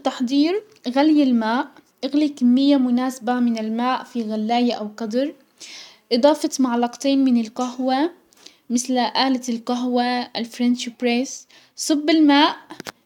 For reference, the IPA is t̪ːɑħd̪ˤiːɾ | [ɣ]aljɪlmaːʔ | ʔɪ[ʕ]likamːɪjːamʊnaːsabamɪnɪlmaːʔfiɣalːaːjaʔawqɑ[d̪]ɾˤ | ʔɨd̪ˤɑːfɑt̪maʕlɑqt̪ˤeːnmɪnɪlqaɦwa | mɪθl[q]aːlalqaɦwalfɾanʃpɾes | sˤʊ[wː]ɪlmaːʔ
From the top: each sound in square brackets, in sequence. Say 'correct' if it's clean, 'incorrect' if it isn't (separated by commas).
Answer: correct, incorrect, correct, incorrect, incorrect